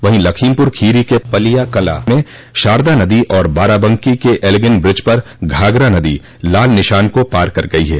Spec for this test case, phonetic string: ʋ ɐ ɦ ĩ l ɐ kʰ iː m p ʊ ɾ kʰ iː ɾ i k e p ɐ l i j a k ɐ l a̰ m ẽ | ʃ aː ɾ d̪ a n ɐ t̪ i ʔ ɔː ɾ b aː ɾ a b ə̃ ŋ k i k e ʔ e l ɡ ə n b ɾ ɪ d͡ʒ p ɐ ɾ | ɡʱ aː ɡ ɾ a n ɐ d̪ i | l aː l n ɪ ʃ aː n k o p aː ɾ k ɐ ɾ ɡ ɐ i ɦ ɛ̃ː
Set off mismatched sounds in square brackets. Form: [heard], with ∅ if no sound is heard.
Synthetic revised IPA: ʋ ɐ ɦ ĩ l ɐ kʰ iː m p ʊ ɾ kʰ iː ɾ i k e p ɐ l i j a k ɐ l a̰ m ẽ | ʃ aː ɾ d̪ a n ɐ [d̪] i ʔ ɔː ɾ b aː ɾ a b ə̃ ŋ k i k e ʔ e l ɡ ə n b ɾ ɪ d͡ʒ p ɐ ɾ | ɡʱ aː ɡ ɾ a n ɐ d̪ i | l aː l n ɪ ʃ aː n k o p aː ɾ k ɐ ɾ ɡ ɐ i ɦ [ɛː]